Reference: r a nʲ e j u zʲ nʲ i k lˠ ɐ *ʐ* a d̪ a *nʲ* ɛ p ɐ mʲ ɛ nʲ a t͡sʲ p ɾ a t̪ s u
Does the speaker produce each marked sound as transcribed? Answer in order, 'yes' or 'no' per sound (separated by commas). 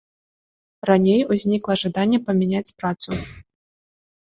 yes, no